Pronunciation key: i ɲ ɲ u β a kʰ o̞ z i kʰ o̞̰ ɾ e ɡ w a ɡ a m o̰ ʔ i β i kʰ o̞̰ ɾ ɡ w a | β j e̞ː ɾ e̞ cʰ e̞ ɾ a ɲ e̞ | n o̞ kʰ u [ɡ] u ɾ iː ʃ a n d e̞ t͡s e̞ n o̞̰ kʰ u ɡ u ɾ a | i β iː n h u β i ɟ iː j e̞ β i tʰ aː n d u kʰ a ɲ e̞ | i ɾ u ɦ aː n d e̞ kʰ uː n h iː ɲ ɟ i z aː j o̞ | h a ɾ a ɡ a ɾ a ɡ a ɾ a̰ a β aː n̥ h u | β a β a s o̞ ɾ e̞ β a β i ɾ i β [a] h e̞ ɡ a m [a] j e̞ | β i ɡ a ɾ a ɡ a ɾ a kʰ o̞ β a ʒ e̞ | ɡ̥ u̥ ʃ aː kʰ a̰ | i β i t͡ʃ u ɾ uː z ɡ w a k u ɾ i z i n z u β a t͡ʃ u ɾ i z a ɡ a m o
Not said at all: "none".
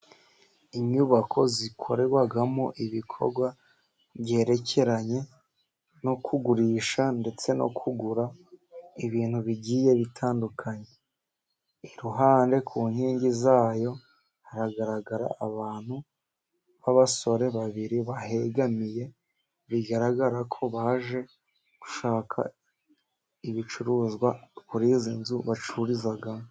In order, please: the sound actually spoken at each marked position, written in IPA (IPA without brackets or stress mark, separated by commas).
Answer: ɡ, a, i